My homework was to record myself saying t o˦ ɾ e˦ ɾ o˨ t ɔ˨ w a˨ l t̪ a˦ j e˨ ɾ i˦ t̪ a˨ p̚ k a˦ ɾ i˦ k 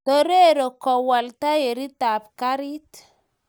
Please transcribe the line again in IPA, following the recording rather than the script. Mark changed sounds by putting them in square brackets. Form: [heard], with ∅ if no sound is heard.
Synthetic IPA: t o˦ ɾ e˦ ɾ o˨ [k] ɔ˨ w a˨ l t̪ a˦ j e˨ ɾ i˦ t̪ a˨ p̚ k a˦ ɾ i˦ [t]

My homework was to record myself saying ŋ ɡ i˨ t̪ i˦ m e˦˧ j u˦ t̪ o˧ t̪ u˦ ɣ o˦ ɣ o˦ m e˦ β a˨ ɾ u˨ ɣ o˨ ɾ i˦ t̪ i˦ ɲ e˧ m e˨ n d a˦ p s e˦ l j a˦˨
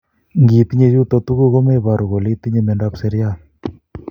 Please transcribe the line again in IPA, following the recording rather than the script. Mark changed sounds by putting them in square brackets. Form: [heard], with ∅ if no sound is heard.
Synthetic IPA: ŋ ɡ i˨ t̪ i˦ [ɲ] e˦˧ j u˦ t̪ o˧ t̪ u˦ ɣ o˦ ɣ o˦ m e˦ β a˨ ɾ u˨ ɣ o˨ [l] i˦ t̪ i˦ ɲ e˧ m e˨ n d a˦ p s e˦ [ɾ] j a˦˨

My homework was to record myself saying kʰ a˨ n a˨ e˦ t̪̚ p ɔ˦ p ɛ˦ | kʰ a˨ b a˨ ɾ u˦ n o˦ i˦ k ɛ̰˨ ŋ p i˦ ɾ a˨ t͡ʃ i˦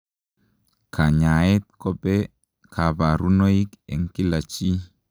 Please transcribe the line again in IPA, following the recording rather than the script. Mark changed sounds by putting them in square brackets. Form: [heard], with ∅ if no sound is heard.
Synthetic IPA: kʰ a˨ [ɲ] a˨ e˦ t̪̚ [k] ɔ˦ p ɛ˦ | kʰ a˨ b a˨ ɾ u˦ n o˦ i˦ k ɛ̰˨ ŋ [k] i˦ [l] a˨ t͡ʃ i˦

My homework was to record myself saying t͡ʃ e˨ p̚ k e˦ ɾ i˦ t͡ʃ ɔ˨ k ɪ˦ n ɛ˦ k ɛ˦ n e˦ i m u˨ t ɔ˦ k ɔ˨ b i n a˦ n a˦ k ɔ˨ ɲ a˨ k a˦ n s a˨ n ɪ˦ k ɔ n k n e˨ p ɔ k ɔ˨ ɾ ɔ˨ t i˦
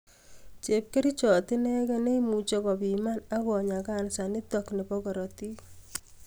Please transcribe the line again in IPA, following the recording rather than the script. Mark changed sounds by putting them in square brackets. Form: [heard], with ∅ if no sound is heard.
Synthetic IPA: t͡ʃ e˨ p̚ k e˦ ɾ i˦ t͡ʃ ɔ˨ [t] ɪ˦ n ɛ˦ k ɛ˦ n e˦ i m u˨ [t͡ʃ] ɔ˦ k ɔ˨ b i [m] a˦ n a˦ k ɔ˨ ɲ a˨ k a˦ n s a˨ n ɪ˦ [t] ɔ [∅] k n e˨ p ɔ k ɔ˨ ɾ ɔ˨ t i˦

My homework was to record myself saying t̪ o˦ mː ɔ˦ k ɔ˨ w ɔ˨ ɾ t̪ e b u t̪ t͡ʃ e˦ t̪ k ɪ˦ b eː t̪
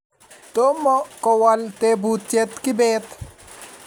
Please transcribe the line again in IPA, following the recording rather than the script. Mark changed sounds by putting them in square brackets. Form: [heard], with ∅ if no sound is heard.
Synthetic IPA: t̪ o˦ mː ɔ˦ k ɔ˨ w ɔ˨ [l] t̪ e b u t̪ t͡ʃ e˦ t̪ k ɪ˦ b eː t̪

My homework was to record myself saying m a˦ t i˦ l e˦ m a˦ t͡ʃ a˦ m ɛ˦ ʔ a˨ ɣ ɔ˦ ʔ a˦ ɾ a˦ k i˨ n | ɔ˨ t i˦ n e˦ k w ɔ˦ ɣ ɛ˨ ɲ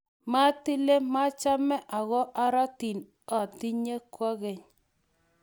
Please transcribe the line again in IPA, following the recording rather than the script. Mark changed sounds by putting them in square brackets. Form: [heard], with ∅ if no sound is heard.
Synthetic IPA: m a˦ t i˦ l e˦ m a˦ t͡ʃ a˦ m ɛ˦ ʔ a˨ ɣ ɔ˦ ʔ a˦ ɾ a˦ [t] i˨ n | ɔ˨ t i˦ [ɲ] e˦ k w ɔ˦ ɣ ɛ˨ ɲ

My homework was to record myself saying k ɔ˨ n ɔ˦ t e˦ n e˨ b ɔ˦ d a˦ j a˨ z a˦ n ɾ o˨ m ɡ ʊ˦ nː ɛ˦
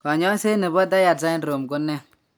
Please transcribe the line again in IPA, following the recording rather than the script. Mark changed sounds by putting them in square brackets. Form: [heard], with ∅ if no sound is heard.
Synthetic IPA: k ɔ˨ [ɲ] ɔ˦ [s] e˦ n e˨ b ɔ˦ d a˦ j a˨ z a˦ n ɾ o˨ m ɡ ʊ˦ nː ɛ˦

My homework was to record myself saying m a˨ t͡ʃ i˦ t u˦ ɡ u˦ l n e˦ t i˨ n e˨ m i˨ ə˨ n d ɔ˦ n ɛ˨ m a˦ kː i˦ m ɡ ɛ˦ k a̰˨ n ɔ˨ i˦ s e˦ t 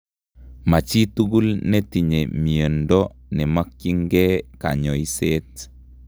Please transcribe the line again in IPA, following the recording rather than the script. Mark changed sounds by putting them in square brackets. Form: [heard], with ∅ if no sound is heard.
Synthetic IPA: m a˨ t͡ʃ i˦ t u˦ ɡ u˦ l n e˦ t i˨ [ɲ] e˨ m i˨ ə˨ n d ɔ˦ n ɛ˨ m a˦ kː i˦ [ŋ] ɡ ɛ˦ k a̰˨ [ɲ] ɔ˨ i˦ s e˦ t

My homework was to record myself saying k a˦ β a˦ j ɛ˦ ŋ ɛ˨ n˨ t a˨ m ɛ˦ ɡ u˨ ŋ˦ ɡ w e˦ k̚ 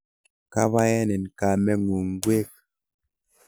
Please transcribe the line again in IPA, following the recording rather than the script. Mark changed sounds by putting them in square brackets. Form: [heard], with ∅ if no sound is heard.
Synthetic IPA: k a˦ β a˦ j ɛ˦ [n] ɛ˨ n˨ [k] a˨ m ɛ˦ [ŋ] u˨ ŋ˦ ɡ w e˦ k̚

